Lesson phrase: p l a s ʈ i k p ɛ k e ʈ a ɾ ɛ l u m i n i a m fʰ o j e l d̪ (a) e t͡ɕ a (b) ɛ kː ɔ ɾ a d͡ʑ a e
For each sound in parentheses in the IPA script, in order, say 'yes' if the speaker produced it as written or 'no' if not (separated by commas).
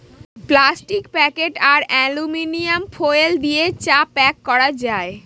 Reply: no, no